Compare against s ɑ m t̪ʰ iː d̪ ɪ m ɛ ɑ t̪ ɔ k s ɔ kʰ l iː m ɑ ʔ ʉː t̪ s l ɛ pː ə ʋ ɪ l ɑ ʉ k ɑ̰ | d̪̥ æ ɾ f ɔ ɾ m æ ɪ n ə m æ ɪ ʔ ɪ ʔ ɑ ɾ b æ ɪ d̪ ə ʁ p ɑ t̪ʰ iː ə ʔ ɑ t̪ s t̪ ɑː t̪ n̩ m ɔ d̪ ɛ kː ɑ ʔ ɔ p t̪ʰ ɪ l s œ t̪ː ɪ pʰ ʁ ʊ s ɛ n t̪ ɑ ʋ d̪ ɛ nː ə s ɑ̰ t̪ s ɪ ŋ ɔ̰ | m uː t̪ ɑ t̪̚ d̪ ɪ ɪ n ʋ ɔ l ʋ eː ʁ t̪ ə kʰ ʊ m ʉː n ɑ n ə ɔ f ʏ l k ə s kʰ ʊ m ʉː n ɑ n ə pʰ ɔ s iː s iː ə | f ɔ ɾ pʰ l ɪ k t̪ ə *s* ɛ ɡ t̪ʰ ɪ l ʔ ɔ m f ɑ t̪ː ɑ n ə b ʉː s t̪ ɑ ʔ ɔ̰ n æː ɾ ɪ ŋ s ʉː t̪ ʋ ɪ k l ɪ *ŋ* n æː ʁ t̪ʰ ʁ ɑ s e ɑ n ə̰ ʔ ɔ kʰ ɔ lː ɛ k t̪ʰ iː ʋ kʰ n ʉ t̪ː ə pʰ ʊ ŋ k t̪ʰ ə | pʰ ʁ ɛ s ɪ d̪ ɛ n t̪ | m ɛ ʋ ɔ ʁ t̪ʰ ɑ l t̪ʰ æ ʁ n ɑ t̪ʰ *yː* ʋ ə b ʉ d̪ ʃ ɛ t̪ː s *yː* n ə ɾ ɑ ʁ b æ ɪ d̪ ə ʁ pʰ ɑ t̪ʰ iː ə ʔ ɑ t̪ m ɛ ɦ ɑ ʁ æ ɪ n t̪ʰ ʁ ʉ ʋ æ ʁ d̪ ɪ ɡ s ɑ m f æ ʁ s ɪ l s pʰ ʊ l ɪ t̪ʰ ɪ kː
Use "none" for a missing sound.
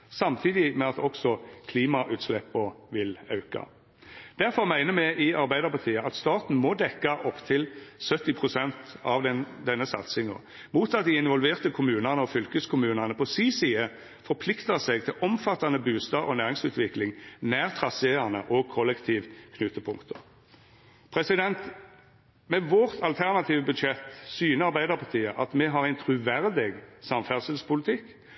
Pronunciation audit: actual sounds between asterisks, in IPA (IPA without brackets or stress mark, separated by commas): s, ŋ, iː, yː